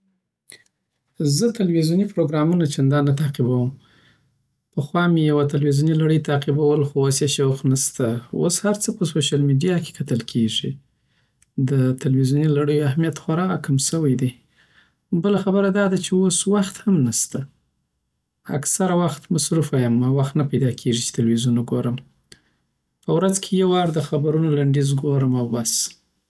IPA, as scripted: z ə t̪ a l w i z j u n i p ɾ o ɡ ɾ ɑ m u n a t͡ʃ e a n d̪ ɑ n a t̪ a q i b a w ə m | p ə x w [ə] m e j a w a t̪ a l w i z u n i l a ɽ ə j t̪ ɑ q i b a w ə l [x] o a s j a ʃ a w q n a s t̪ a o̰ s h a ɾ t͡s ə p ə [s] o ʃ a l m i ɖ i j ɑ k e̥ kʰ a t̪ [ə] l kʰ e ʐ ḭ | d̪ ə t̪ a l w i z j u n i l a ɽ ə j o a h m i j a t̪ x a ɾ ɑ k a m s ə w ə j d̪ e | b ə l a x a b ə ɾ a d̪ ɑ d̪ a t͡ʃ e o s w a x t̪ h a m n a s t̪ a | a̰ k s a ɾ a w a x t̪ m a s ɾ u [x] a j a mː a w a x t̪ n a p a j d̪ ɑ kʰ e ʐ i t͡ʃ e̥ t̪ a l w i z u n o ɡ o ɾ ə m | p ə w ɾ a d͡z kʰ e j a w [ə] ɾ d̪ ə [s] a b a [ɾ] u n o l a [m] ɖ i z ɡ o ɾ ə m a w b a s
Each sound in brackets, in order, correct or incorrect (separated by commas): incorrect, correct, correct, correct, incorrect, incorrect, incorrect, correct, incorrect